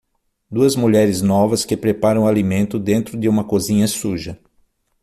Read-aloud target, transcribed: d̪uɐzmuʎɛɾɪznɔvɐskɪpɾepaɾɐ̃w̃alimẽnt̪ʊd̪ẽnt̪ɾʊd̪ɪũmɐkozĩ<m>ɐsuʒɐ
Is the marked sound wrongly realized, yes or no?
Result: yes